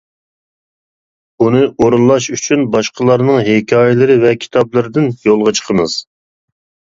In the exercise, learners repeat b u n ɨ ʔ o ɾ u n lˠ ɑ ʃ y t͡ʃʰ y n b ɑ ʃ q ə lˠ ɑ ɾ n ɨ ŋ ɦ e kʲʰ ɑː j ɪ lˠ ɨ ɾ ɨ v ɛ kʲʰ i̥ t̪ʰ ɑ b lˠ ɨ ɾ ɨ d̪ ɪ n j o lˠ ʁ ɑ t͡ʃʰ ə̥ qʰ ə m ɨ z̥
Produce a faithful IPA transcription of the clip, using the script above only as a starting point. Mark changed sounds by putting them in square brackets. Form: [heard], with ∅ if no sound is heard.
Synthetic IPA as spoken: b u n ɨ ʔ o ɾ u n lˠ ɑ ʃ y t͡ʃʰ y n b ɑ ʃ q ə lˠ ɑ ɾ n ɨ ŋ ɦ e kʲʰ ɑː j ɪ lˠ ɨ ɾ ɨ v ɛ kʲʰ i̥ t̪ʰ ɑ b lˠ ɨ ɾ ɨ d̪ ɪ n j o lˠ ʁ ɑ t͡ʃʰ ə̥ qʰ ə m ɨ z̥